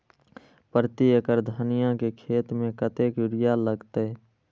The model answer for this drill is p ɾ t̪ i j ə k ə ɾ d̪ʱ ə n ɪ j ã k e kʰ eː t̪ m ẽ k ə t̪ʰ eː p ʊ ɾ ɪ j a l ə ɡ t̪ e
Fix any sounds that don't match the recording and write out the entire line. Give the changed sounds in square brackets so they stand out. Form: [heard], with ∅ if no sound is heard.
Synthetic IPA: p ɾ t̪ i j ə k ə ɾ d̪ʱ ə n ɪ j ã k e kʰ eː t̪ m ẽ k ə [t̪] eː [k] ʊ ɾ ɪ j a l ə ɡ t̪ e